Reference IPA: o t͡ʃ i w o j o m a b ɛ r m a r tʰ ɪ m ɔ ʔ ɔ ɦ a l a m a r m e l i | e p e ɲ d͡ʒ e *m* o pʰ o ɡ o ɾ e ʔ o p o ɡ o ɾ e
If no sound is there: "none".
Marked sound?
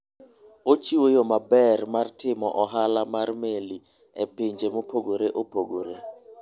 m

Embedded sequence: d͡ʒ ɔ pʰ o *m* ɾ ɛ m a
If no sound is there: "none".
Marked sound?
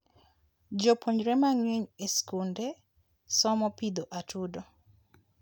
ɲ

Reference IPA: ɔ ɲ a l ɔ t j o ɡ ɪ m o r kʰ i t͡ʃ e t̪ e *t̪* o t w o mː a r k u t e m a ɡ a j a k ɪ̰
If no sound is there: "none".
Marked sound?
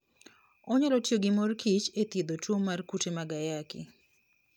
d̪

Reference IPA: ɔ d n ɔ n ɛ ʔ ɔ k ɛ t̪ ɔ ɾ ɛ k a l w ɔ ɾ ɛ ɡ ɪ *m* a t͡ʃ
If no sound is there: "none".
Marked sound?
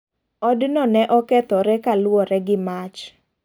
m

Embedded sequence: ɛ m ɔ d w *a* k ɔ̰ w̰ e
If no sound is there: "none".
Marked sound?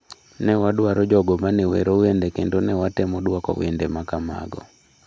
a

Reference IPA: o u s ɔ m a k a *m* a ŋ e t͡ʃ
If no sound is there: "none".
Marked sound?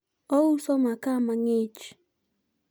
m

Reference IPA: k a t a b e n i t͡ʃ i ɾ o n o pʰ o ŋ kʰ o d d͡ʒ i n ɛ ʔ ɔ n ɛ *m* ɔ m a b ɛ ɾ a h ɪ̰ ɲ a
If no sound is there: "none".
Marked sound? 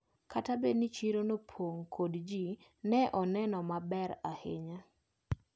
n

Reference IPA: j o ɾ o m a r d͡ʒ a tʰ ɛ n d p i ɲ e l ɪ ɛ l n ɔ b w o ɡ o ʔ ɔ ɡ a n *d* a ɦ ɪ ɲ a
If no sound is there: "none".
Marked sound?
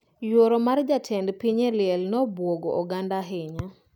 d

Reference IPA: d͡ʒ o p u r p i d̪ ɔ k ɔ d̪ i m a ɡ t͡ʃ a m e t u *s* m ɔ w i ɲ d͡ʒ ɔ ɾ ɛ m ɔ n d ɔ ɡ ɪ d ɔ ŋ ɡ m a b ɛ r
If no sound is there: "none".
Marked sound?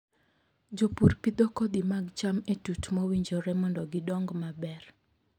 t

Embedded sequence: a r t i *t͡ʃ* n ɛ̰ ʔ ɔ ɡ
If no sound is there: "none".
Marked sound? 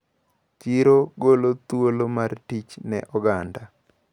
t͡ʃ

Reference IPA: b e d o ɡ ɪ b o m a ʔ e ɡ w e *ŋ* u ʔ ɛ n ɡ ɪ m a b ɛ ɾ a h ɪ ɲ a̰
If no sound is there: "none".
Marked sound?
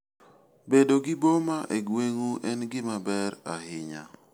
ŋ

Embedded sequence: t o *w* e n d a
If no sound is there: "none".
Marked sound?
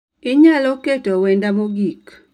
w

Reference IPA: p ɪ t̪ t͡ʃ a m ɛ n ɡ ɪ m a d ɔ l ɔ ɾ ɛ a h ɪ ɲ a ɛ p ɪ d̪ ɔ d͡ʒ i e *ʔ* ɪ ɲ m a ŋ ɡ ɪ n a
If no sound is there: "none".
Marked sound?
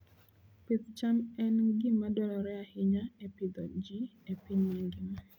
p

